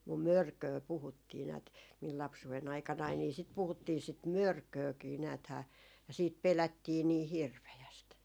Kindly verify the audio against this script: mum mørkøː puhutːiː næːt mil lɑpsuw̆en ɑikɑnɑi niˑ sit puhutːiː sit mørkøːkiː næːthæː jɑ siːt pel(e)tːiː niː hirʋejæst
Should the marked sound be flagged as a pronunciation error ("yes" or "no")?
yes